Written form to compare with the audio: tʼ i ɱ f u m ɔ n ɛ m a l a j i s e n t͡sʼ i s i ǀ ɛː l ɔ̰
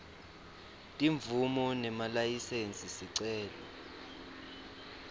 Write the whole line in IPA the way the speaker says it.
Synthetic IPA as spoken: tʼ i ɱ v u m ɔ n ɛ m a l a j i s e n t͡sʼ i s i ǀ ɛː l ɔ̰